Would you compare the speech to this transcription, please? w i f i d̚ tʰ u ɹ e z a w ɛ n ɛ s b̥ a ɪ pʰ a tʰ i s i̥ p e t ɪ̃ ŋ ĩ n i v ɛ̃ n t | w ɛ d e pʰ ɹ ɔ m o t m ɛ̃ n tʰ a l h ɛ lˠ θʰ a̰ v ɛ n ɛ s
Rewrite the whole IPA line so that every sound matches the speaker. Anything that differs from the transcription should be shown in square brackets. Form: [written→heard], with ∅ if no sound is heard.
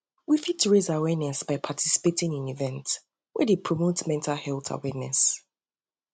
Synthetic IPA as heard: w i f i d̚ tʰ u ɹ e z a w ɛ n ɛ s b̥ a ɪ pʰ a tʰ i s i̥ p e t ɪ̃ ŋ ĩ n i v ɛ̃ n t | w ɛ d e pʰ ɹ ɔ m o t m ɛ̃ n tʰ a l h ɛ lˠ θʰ a̰ [v→w] ɛ n ɛ s